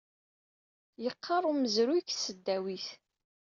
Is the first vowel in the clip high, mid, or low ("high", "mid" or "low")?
mid